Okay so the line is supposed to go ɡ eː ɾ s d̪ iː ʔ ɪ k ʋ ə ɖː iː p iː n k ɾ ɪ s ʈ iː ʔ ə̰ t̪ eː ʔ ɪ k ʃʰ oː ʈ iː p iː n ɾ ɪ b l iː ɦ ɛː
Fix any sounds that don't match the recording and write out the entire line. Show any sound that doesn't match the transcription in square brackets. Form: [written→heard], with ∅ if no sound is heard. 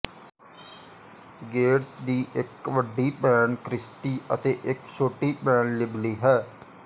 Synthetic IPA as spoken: ɡ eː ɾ s d̪ iː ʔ ɪ k ʋ ə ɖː iː p [iː→ɛː] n k ɾ ɪ s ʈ iː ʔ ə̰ t̪ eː ʔ ɪ k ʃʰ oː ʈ iː p [iː→ɛː] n [ɾ→l] ɪ b l iː ɦ ɛː